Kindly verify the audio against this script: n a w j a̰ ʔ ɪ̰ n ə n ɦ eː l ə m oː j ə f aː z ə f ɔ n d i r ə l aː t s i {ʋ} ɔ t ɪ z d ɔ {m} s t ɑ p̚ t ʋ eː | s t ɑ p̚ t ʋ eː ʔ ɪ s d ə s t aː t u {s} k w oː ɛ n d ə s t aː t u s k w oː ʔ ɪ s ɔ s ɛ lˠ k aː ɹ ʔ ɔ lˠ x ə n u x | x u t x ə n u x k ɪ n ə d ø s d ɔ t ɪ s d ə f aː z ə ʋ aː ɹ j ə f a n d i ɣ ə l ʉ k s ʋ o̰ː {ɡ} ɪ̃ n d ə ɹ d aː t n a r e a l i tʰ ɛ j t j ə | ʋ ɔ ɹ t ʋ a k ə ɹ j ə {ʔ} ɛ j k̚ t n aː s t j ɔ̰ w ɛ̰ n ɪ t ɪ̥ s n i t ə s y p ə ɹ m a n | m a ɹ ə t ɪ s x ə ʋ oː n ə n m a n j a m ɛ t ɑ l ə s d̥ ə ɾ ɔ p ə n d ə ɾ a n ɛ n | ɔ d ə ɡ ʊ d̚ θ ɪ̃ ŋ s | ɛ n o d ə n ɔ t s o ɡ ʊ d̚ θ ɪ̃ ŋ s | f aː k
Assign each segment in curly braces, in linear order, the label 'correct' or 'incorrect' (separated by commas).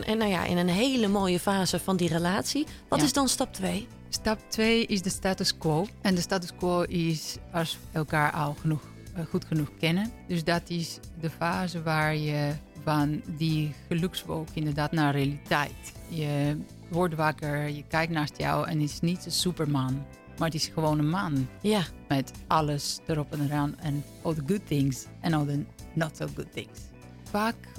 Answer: correct, incorrect, correct, incorrect, incorrect